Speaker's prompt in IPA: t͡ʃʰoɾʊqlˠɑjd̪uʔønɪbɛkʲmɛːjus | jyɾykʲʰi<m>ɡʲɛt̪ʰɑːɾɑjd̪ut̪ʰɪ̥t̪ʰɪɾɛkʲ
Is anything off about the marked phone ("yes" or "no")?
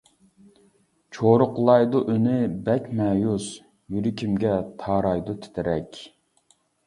no